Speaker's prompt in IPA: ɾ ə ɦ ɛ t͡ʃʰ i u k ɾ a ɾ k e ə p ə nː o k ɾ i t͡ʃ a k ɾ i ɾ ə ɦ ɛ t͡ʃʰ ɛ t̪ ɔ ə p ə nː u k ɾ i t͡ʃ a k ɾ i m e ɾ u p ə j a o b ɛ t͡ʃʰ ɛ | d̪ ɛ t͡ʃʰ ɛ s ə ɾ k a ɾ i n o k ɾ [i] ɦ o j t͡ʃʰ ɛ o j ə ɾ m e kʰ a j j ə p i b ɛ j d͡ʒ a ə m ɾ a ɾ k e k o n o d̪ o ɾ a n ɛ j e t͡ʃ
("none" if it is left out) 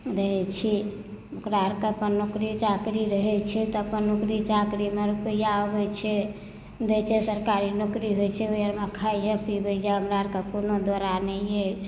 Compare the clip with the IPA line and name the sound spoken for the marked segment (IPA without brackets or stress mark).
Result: i